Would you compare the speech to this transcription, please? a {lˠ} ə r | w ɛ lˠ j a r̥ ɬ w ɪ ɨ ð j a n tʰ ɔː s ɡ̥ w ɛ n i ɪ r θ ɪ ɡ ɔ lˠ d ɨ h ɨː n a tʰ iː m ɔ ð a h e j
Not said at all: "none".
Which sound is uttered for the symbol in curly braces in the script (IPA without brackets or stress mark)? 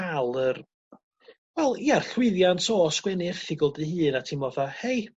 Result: lˠ